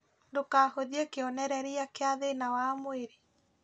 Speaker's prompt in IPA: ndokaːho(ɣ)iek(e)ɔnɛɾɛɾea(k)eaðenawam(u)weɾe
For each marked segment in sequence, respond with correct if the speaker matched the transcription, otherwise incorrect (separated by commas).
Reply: incorrect, correct, correct, incorrect